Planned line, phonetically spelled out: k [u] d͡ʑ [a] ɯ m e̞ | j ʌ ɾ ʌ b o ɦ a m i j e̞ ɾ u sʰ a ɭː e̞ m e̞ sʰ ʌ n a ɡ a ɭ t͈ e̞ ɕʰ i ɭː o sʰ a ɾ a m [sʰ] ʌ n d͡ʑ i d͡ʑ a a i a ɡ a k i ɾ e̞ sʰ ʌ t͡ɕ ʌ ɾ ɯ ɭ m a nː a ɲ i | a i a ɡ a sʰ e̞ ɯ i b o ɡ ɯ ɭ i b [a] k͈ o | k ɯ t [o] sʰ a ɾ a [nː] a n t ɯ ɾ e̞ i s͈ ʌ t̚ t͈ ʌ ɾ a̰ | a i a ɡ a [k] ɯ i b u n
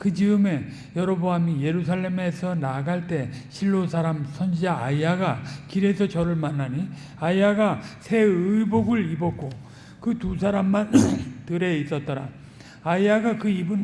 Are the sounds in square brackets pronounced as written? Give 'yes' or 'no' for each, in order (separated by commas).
no, no, yes, no, no, no, yes